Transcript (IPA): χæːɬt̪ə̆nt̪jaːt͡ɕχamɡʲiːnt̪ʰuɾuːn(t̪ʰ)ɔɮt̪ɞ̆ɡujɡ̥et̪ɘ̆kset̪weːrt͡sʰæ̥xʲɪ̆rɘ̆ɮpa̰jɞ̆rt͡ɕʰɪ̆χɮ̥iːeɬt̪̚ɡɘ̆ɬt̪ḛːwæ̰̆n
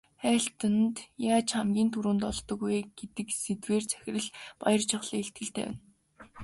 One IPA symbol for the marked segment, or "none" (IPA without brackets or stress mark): t̪